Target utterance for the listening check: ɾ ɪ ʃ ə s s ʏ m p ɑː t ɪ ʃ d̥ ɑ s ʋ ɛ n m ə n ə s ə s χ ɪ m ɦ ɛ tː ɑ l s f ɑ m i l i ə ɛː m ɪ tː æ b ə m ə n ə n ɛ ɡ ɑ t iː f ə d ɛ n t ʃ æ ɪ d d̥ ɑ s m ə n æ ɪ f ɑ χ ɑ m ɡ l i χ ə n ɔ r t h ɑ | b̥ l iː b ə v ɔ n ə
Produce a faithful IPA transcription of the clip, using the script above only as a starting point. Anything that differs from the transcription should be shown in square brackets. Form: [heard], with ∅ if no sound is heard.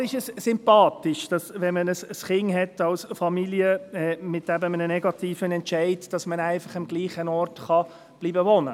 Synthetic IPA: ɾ ɪ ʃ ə s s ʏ m p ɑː t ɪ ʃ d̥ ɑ s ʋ ɛ n m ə n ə s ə s χ ɪ [ŋ] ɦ ɛ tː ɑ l s f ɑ m i l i ə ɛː m ɪ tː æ b ə m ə n ə n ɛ ɡ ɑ t iː f ə [n] ɛ n t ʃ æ ɪ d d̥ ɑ s m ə n æ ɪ f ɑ χ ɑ m ɡ l [iː] χ ə n ɔ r t [χ] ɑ | b̥ l iː b ə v ɔ n ə